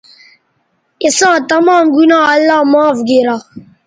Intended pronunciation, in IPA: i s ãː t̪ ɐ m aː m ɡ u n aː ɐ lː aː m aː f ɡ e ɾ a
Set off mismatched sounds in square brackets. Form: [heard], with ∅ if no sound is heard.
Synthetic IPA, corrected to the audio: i s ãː t̪ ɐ m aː m ɡ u n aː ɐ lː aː m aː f ɡ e ɾ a